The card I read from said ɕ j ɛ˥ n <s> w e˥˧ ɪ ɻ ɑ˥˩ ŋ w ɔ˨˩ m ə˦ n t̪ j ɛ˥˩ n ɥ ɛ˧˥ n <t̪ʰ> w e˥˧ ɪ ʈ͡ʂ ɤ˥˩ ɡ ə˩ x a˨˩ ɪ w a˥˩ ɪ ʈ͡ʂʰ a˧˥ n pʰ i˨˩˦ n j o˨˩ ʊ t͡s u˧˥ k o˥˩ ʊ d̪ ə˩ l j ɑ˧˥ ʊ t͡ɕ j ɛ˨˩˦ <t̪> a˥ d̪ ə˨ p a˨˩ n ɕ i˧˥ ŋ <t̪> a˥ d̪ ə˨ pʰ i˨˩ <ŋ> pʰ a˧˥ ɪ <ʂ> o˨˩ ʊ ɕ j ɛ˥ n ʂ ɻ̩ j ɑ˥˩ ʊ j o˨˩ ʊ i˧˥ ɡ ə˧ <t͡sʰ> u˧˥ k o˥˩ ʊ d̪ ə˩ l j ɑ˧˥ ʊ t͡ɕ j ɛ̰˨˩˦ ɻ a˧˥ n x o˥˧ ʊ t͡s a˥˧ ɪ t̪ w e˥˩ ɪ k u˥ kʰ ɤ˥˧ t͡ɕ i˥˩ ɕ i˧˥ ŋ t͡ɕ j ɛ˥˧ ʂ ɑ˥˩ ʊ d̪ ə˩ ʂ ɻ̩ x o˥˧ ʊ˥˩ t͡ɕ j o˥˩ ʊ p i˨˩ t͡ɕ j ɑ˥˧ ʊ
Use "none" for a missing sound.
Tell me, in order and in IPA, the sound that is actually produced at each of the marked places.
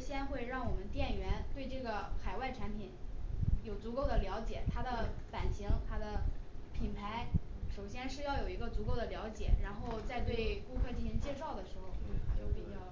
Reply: x, t̪, t̪ʰ, t̪ʰ, n, ʂ, t͡s

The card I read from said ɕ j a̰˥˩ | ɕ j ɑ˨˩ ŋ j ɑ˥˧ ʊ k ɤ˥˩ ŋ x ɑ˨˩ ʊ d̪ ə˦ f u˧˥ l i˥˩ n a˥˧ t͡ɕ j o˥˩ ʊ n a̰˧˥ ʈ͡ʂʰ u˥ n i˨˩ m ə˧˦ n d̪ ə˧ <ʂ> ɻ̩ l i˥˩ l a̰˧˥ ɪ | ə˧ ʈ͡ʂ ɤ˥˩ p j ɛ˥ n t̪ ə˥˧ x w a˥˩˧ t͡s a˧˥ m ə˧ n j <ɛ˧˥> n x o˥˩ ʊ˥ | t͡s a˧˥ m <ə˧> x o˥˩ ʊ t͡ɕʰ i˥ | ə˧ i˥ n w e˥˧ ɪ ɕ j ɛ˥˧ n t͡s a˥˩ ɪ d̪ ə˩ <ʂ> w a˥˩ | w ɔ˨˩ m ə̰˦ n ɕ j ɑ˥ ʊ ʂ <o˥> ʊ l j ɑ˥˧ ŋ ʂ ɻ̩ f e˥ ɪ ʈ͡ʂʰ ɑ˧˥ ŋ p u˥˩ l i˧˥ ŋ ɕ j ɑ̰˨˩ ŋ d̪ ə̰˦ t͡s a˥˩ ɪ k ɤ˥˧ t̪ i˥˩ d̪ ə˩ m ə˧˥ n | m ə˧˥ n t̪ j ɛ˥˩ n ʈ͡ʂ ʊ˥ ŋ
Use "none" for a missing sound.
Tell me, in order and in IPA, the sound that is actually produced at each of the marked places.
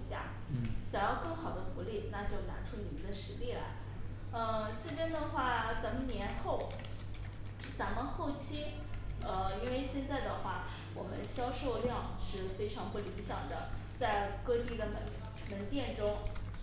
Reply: ʂ, ɛ˧˥, ə˧, x, o˥˧

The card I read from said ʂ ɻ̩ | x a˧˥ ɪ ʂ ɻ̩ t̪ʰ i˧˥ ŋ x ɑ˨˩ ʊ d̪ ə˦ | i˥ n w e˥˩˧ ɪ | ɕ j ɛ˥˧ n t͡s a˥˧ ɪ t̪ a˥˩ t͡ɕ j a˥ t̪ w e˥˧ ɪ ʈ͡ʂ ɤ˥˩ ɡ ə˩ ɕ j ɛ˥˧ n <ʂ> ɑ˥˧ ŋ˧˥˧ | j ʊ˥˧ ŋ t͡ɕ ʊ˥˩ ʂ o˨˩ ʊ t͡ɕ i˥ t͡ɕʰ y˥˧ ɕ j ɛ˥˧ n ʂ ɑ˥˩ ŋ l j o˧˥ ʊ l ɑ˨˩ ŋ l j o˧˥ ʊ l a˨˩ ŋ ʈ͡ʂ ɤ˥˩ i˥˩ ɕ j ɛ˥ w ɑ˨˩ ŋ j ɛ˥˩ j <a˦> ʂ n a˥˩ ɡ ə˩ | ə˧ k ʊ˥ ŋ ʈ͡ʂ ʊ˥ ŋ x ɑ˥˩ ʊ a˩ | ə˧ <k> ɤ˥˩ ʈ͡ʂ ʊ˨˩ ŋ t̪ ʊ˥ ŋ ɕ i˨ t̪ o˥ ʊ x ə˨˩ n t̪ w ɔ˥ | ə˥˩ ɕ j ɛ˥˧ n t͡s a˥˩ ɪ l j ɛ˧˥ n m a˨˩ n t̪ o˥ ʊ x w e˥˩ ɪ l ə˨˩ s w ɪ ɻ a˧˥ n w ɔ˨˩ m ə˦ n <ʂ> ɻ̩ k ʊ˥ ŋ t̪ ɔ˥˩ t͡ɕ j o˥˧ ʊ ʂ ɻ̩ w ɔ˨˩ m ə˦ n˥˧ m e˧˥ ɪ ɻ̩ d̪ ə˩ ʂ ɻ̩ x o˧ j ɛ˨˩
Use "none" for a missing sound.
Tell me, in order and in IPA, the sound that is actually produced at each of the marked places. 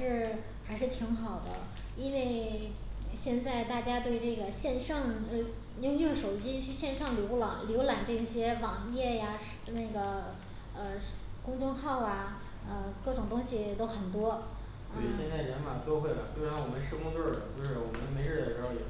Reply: ʂ, a˩, k, ʂ

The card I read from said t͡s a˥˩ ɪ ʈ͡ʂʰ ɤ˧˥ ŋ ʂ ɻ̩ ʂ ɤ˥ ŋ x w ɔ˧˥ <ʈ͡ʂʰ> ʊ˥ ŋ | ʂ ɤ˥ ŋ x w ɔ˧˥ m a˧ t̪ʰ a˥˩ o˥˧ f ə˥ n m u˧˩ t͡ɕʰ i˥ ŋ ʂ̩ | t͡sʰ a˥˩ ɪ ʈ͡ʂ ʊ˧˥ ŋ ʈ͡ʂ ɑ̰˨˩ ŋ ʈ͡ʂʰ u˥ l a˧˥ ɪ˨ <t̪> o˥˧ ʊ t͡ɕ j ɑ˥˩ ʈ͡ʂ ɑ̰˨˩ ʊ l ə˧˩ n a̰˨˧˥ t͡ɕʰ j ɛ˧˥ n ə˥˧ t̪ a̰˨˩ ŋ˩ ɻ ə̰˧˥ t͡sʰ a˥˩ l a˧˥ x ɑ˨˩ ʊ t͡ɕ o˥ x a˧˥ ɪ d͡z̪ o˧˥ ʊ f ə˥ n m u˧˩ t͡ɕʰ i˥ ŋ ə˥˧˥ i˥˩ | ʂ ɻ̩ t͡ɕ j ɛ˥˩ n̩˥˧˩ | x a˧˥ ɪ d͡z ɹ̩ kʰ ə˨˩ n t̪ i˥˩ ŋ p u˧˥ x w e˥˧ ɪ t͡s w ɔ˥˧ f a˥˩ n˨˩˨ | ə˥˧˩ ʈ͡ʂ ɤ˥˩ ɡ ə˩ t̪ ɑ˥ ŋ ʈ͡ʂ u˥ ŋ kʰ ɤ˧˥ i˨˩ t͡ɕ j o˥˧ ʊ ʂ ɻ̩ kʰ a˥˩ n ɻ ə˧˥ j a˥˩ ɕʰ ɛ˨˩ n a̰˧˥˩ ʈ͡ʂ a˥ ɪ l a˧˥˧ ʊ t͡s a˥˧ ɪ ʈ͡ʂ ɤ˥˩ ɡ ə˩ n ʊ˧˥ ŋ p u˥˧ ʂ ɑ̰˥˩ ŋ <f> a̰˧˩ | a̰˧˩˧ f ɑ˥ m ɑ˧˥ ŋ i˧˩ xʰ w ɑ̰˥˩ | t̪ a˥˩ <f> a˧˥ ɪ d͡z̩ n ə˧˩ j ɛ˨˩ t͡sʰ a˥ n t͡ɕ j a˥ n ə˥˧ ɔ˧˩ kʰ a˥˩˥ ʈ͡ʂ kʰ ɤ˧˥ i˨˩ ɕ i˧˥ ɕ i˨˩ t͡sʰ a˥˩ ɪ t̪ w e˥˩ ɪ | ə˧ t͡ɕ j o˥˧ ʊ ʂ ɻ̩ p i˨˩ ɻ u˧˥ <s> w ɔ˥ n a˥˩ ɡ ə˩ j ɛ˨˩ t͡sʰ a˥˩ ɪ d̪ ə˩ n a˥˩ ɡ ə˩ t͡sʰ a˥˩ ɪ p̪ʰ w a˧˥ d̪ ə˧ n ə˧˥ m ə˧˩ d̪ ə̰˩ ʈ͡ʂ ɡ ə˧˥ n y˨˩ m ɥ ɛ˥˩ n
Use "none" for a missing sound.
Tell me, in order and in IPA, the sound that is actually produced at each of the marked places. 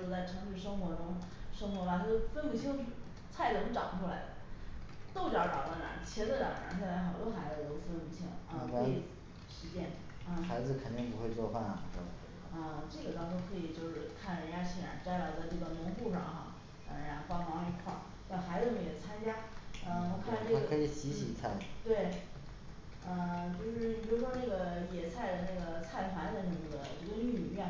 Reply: ʈ͡ʂ, t̪, x, x, ʂ

